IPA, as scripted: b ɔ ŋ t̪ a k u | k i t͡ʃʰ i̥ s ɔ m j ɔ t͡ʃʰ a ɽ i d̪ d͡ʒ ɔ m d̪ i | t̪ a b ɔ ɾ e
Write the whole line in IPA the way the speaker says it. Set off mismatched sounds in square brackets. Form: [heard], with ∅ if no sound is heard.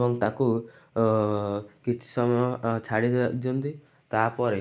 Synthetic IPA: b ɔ ŋ t̪ a k u | k i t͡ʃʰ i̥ s ɔ m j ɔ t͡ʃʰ a ɽ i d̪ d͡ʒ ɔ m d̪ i | t̪ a [p] ɔ ɾ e